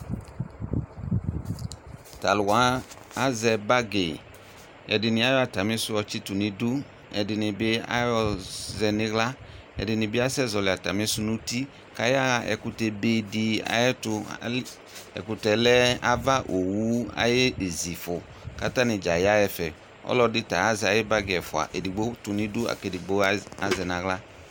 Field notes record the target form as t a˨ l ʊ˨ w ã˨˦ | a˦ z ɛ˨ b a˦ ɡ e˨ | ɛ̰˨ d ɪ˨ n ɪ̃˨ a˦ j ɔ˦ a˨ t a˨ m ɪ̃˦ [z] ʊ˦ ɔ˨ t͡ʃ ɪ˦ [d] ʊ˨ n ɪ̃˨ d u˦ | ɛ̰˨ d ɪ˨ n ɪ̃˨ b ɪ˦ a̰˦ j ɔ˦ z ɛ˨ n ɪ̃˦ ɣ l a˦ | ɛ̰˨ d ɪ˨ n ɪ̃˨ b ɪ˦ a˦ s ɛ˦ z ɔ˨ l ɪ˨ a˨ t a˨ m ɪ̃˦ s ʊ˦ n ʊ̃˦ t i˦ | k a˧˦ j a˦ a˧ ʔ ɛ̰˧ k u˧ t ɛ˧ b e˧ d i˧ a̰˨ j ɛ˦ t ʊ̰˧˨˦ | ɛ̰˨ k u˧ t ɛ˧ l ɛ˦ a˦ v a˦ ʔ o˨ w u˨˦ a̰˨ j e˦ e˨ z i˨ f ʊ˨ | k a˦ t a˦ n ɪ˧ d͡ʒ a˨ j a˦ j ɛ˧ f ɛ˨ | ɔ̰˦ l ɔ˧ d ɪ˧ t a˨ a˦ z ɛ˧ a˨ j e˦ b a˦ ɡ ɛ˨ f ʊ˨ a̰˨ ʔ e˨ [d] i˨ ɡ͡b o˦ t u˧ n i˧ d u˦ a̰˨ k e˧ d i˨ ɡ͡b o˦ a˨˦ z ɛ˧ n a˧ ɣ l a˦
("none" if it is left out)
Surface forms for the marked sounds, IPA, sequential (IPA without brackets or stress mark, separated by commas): s, t, d